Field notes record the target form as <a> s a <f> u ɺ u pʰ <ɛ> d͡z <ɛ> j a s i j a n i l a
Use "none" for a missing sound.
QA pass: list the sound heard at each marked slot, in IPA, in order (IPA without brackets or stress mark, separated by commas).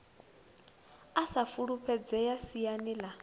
a, f, ɛ, ɛ